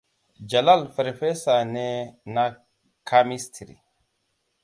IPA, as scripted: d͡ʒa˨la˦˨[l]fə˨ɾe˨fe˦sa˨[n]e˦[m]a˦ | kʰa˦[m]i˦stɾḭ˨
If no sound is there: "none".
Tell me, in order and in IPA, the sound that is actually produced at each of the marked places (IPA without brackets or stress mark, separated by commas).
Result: l, n, n, m